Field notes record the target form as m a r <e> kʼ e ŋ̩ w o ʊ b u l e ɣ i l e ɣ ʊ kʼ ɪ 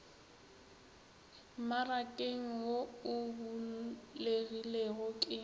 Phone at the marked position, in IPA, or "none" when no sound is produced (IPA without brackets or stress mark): a